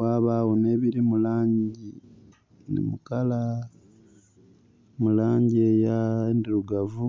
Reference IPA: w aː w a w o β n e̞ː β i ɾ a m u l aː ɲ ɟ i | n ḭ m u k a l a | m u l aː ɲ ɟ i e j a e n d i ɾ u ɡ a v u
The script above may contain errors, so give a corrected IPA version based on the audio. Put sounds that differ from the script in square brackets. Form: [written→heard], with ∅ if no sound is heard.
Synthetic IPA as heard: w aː [w→β] a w o [β→∅] n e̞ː β i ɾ [a→i] m u l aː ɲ ɟ i | n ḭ m u k a l a | m u l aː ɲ ɟ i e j a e n d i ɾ u ɡ a v u

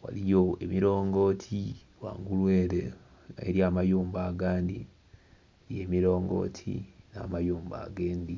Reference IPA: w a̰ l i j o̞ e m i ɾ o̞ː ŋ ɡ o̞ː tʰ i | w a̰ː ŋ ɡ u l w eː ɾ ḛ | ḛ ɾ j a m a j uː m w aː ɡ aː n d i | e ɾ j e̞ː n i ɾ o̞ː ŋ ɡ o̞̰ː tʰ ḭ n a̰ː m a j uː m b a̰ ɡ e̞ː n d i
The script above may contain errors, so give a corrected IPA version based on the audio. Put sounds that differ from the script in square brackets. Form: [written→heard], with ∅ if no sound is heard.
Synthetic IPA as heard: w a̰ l i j o̞ e m i ɾ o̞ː ŋ ɡ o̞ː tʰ i | w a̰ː ŋ ɡ u l w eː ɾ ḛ | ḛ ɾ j a m a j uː m [w→b] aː ɡ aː n d i | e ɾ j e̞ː [n→m] i ɾ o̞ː ŋ ɡ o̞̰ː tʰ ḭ n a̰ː m a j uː m b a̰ ɡ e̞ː n d i

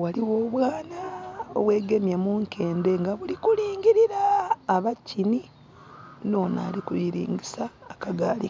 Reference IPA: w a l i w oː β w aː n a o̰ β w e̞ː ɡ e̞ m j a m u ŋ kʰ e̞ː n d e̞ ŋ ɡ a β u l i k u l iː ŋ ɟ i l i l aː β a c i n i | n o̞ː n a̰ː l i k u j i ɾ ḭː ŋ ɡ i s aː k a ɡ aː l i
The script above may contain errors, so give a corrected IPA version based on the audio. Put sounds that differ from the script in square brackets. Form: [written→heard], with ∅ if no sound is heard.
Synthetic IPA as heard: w a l i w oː β w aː n a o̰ β w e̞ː ɡ e̞ m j a m u ŋ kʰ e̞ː n d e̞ ŋ ɡ a β u l i k u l iː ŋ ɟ i [l→ɾ] i [l→ɾ] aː β a c i n i | n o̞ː n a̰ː l i k u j i ɾ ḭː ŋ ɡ i s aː k a ɡ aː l i

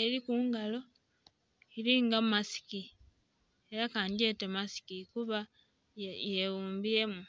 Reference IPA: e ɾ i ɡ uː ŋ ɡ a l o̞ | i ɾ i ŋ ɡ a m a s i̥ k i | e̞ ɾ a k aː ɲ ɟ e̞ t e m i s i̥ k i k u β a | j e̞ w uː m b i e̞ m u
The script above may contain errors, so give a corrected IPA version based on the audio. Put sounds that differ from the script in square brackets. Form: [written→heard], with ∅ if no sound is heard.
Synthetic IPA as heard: e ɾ i [ɡ→k] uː ŋ ɡ a l o̞ | i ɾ i ŋ ɡ a m a s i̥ k i | e̞ ɾ a k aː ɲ ɟ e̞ t e m [i→a] s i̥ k i k u β a | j e̞ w uː m b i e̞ m u

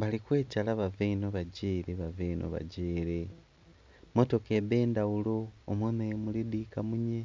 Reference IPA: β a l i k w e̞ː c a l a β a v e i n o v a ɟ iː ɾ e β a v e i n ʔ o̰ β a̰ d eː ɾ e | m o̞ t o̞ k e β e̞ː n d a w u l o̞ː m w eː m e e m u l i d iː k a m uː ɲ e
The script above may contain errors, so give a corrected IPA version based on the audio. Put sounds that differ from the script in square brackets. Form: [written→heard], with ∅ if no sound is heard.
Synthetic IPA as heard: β a l i k w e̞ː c a l a β a v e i n o [v→β] a ɟ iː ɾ e β a v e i n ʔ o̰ β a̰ [d→ɟ] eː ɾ e | m o̞ t o̞ k e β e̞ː n d a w u l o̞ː m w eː m e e m u l i d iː k a m [uː→u] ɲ e

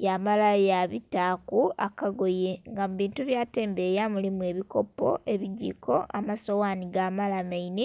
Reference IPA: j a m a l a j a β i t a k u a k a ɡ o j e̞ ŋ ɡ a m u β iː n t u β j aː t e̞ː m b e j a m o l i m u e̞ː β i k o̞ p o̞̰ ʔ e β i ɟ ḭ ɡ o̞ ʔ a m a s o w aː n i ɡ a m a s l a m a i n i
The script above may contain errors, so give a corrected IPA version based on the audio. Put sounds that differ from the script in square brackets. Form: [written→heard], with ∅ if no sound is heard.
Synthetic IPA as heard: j a m a l a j a β i t a k u a k a ɡ o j e̞ ŋ ɡ a m u β iː n t u β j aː t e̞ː m b e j a m [o→u] l i m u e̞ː β i k o̞ p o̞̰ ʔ e β i ɟ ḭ [ɡ→k] o̞ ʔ a m a s o w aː n i ɡ a m a [s→∅] l a m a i n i

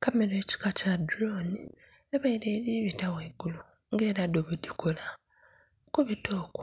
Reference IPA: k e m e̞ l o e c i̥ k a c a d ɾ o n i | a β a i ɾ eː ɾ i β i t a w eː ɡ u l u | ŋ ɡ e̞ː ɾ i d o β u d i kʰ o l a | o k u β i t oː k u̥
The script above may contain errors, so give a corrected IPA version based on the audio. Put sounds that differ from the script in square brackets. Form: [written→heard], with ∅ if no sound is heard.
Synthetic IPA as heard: k [e→a] m e̞ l o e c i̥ k a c a d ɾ o n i | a β a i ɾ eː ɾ i β i t a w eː ɡ u l u | ŋ ɡ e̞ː ɾ [i→a] d o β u d i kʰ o l a | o k u β i t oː k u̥

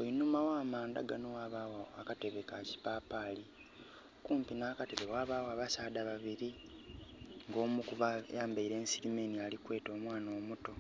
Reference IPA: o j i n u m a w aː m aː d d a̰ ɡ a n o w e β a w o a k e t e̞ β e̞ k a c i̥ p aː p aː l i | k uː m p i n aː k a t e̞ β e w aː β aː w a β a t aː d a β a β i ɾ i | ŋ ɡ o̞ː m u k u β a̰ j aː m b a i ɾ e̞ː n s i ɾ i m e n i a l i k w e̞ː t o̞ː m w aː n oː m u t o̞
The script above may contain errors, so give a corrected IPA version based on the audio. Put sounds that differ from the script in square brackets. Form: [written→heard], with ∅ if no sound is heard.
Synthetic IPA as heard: o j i n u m a w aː m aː [d→n] d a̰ ɡ a n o w [e→a] β a w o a k [e→a] t e̞ β e̞ k a c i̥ p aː p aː l i | k uː m p i n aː k a t e̞ β e w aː β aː w a β a [t→s] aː d a β a β i ɾ i | ŋ ɡ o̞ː m u k u β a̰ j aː m b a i ɾ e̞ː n s i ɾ i m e n i a l i k w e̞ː t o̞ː m w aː n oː m u t o̞

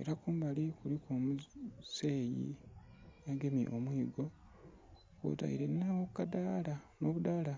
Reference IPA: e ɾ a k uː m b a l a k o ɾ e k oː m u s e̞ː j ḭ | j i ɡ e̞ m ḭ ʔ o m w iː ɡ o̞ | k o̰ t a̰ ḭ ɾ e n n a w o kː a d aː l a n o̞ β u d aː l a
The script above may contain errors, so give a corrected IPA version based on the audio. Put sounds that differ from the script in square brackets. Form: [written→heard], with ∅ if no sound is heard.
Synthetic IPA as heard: e ɾ a k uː m b a l [a→i] k [o→u] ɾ [e→i] k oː m u s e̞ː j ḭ | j [i→a] ɡ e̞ m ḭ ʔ o m w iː ɡ o̞ | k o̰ t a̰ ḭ ɾ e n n a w o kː a d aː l a n o̞ β u d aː l a

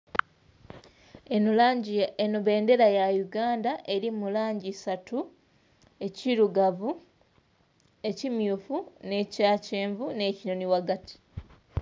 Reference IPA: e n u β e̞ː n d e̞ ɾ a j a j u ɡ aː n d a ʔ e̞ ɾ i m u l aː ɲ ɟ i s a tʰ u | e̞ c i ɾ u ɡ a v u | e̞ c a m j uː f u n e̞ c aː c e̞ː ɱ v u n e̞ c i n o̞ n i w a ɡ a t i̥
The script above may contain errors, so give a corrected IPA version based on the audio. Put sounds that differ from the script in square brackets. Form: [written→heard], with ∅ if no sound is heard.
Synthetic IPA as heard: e n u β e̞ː n d e̞ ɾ a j a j u ɡ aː n d a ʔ e̞ ɾ i m u l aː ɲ ɟ i s a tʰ u | e̞ c i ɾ u ɡ a v u | e̞ c [a→i] m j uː f u n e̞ c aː c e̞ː ɱ v u n e̞ c i n o̞ n i w a ɡ a t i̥

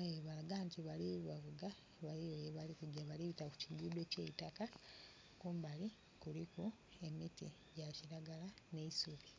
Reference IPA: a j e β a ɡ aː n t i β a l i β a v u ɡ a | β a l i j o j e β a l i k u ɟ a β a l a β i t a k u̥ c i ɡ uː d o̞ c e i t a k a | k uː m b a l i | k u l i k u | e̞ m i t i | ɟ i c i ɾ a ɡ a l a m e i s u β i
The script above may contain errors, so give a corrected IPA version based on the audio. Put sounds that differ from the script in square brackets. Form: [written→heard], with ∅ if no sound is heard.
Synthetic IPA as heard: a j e β a ɡ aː n t i β a l i β a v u ɡ a | β a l i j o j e β a l i k u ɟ a β a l [a→i] β i t a k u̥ c i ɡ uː d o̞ c e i t a k a | k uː m b a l i | k u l i k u | e̞ m i t i | ɟ [i→a] c i ɾ a ɡ a l a [m→n] e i s u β i

